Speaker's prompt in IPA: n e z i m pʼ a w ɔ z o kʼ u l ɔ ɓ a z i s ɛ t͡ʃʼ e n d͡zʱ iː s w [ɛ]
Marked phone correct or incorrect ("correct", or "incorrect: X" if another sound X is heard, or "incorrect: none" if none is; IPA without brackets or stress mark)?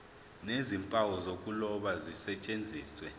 correct